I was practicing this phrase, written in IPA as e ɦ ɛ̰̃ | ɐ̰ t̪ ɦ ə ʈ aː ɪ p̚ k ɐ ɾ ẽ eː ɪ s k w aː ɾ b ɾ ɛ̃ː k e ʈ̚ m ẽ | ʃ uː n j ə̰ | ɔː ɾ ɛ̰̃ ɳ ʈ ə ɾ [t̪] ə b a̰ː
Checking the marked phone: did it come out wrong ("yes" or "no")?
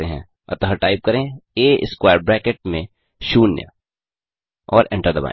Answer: yes